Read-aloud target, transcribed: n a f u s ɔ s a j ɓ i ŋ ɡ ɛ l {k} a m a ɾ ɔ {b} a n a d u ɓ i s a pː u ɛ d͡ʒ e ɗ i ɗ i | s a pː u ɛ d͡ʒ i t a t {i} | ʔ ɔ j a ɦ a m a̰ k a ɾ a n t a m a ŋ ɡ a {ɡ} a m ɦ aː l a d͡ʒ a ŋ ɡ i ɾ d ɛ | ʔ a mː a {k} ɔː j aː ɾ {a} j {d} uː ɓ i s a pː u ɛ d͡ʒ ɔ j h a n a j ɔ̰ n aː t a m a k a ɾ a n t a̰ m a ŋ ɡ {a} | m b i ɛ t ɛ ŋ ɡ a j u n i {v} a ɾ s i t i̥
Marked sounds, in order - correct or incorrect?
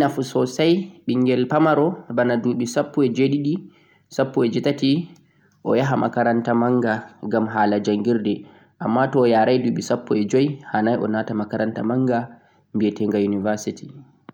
incorrect, correct, correct, correct, incorrect, correct, correct, correct, correct

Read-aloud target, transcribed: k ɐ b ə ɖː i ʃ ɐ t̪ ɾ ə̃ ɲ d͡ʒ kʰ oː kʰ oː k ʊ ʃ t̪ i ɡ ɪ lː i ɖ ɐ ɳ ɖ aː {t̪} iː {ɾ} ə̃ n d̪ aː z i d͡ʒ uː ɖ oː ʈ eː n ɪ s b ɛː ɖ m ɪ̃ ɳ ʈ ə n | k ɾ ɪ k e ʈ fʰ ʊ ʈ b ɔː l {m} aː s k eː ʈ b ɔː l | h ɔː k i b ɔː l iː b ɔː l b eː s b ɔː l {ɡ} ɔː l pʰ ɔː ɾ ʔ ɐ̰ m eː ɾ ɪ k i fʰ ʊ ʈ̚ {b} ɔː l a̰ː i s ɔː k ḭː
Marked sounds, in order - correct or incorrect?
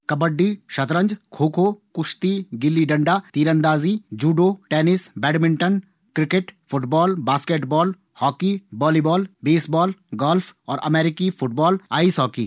correct, correct, incorrect, correct, correct

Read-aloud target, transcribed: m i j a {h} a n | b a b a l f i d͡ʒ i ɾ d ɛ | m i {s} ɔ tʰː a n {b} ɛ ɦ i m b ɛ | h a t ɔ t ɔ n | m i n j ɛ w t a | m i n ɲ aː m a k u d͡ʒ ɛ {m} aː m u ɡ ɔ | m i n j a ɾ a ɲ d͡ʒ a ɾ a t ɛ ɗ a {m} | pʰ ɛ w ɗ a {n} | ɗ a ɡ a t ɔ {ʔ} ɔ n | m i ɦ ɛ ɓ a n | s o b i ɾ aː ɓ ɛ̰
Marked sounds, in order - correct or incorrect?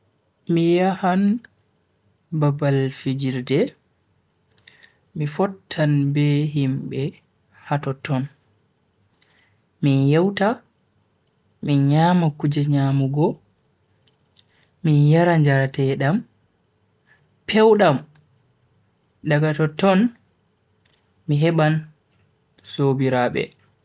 correct, incorrect, correct, incorrect, correct, incorrect, incorrect

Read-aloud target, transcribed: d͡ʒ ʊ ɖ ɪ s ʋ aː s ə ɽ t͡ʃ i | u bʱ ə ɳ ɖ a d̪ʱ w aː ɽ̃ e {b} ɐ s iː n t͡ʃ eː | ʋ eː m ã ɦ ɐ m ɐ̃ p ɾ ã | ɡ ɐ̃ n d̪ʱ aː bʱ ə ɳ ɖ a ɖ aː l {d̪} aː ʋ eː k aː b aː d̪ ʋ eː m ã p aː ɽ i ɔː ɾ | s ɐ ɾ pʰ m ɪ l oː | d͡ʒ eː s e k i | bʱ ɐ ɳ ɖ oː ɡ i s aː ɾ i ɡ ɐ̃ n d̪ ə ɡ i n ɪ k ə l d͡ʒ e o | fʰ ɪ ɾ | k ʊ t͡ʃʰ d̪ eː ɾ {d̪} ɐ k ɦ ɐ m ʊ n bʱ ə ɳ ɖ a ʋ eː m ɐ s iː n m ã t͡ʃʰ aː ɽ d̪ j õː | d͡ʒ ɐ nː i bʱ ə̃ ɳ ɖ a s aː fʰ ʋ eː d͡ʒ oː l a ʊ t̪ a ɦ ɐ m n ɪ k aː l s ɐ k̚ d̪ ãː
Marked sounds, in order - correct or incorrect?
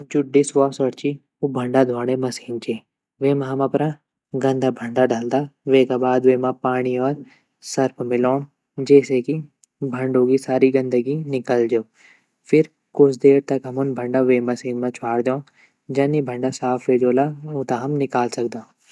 incorrect, correct, incorrect

